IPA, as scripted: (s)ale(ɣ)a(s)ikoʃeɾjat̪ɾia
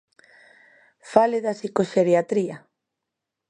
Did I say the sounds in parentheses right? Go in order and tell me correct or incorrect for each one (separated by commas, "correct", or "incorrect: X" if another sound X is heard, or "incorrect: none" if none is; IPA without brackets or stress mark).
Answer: incorrect: f, incorrect: ð, correct